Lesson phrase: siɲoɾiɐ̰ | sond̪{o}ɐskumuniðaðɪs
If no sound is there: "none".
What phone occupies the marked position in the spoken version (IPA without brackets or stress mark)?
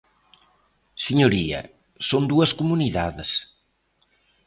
u